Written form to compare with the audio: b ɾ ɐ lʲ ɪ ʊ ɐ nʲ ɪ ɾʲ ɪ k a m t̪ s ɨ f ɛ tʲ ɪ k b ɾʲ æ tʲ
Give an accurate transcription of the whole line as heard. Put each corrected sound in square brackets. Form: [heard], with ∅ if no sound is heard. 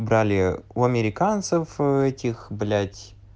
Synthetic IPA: b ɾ [a] lʲ ɪ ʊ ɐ [mʲ] ɪ ɾʲ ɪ k a [n] t̪ s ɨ f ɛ tʲ ɪ [x] b [lʲ] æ tʲ